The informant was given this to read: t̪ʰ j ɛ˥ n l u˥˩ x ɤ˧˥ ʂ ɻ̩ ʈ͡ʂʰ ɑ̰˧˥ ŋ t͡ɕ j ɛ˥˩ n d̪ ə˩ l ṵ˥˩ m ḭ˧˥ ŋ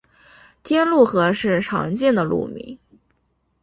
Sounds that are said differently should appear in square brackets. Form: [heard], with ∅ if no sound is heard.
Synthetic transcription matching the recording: t̪ʰ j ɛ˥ n l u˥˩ x ɤ˧˥ ʂ ɻ̩ ʈ͡ʂʰ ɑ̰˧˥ ŋ t͡ɕ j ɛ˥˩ n d̪ ə˩ l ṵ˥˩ m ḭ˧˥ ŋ